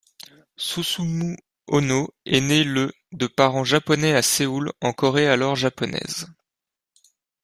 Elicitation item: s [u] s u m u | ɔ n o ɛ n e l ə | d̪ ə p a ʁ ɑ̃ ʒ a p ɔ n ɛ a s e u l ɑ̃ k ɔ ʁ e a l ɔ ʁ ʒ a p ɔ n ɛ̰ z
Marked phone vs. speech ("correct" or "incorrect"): correct